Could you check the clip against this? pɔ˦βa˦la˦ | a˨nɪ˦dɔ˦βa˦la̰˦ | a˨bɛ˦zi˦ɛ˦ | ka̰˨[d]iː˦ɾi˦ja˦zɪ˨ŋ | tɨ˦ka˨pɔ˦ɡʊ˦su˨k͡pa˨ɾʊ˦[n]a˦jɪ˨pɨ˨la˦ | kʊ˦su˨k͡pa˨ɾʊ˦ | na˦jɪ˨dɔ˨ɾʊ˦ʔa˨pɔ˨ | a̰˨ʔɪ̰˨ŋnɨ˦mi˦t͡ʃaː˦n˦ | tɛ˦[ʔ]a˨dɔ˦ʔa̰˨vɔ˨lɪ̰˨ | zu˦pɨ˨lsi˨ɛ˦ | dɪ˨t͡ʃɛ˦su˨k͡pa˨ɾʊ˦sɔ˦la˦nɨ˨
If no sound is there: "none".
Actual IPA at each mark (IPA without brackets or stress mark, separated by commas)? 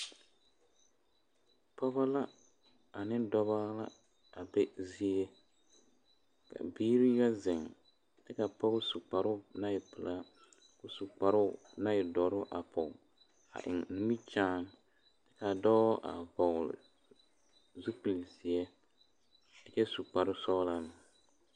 b, n, k